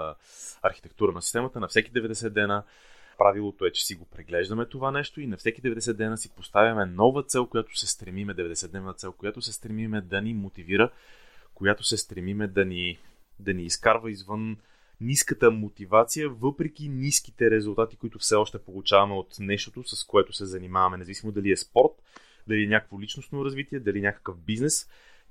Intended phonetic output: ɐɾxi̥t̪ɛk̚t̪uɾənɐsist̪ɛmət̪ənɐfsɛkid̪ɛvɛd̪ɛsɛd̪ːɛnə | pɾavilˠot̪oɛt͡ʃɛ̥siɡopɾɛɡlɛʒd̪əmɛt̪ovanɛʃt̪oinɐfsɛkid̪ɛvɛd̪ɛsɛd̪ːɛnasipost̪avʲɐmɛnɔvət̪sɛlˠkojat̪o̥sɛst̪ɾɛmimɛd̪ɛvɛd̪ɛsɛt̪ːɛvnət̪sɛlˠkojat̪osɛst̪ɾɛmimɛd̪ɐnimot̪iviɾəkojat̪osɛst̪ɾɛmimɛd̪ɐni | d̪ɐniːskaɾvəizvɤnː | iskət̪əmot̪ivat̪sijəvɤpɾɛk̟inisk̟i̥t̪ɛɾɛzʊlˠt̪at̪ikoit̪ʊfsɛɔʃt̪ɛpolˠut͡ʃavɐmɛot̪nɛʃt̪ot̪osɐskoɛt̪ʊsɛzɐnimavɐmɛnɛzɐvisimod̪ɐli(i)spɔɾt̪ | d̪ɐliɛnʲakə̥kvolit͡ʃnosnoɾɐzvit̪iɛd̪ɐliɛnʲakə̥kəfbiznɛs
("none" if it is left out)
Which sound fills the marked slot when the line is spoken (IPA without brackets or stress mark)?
ɛ